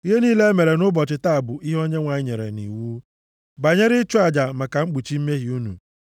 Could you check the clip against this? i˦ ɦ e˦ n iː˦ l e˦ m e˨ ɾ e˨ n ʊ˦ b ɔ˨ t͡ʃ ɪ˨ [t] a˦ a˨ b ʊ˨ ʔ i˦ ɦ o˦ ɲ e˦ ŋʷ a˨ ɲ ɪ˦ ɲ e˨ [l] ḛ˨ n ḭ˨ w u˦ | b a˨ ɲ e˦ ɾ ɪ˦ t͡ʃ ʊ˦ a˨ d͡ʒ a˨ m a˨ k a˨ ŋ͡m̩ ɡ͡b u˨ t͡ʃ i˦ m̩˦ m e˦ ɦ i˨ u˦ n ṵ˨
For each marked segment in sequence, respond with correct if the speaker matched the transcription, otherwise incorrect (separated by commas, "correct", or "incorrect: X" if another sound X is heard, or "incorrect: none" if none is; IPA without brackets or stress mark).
correct, incorrect: ɾ